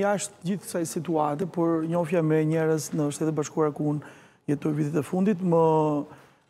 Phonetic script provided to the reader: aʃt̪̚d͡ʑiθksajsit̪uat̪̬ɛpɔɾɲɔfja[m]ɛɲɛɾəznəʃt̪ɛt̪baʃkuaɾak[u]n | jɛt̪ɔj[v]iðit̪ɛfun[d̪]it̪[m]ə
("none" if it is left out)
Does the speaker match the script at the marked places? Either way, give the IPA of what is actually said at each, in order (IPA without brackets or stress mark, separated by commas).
m, u, v, d̪, m